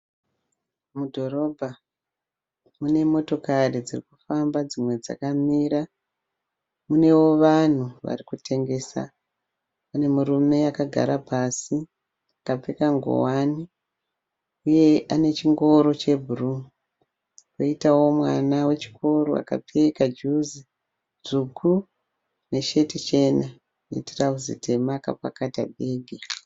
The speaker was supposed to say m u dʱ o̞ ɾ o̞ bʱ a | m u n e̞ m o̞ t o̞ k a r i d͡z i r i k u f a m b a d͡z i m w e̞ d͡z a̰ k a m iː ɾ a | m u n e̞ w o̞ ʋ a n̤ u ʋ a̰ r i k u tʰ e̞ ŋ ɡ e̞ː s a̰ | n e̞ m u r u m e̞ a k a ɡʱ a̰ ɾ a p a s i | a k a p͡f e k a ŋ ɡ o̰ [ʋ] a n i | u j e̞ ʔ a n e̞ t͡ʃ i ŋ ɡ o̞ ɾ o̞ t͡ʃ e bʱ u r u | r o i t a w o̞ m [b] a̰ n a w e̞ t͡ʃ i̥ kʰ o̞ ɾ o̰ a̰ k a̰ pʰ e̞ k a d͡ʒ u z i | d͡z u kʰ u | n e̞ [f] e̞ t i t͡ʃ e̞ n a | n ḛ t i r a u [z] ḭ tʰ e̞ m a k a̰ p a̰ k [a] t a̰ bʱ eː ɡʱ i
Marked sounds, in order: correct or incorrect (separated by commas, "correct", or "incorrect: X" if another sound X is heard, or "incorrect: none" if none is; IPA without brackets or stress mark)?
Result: incorrect: w, incorrect: w, incorrect: ʃ, correct, correct